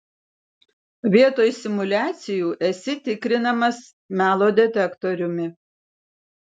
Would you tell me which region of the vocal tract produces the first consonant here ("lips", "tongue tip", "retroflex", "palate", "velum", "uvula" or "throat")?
lips